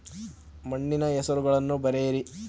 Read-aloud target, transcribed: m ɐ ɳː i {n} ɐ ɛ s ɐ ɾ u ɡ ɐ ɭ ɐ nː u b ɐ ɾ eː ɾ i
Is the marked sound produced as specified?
yes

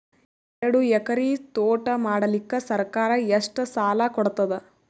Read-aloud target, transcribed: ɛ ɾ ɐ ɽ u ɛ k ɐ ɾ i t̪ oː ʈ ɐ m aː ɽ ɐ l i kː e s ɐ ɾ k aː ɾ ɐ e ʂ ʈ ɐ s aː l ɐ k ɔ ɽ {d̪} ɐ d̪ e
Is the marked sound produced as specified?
no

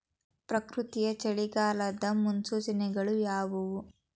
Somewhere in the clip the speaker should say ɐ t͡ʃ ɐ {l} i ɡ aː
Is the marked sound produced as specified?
no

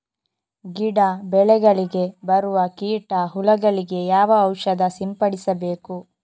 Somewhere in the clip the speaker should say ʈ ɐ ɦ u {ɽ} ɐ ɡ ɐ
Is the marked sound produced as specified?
no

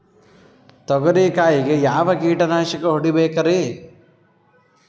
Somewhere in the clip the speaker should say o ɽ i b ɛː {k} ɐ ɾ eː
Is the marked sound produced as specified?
yes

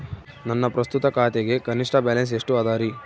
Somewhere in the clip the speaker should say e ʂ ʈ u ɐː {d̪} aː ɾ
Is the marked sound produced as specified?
yes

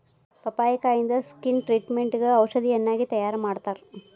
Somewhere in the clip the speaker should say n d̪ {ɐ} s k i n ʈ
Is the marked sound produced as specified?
yes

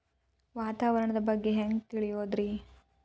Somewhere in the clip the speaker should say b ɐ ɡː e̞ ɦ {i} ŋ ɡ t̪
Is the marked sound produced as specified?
no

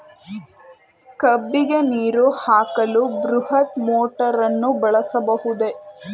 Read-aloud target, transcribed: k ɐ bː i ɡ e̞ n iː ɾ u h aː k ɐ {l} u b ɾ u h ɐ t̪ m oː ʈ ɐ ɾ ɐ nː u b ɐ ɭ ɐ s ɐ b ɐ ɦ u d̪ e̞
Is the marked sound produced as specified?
yes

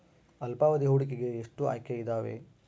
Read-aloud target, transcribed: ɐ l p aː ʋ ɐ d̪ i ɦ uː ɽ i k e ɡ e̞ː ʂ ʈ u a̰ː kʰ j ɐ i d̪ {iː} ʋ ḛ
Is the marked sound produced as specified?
no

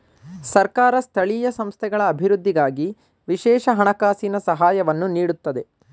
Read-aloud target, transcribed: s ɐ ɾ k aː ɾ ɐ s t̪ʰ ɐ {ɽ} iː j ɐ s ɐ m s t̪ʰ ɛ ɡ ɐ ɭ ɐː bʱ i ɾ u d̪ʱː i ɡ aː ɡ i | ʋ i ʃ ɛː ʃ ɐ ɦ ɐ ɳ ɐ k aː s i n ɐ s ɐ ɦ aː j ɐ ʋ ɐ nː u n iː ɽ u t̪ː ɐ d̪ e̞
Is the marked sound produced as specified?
no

